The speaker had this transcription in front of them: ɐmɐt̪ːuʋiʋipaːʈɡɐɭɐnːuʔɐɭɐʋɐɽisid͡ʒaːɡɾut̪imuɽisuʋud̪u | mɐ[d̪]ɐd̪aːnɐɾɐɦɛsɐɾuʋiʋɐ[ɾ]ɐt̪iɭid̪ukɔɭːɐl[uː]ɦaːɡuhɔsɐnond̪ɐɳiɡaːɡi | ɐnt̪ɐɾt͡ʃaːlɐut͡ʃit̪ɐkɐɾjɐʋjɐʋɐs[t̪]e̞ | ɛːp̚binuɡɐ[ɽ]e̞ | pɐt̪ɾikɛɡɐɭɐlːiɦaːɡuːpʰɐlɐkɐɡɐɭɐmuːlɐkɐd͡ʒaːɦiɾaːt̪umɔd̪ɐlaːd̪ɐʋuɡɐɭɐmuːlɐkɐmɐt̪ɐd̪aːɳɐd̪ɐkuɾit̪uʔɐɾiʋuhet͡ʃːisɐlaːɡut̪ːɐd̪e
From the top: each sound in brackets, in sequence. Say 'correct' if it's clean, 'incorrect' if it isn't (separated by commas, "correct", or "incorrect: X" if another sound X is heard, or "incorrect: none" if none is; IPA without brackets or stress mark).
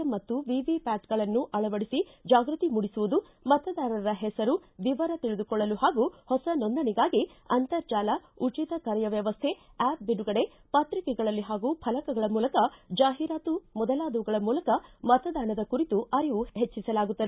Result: incorrect: t̪, correct, incorrect: u, incorrect: t̪ʰ, correct